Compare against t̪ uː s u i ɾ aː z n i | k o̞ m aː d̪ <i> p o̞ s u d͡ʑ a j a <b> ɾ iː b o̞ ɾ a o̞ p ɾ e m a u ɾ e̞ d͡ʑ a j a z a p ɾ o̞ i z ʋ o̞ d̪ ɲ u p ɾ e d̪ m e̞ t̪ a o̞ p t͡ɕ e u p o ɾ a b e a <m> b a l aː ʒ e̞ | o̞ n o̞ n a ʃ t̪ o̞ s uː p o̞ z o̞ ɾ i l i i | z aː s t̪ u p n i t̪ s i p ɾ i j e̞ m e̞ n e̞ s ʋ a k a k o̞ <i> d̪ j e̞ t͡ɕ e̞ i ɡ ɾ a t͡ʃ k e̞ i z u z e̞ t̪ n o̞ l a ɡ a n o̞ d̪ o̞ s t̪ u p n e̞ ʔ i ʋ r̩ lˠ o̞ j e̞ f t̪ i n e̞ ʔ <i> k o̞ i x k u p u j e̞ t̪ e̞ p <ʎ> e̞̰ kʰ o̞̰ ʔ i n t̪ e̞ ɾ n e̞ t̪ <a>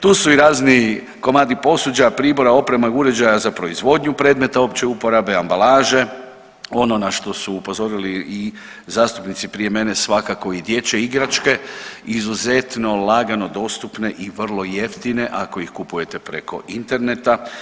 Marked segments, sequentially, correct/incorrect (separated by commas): correct, incorrect, correct, correct, incorrect, incorrect, correct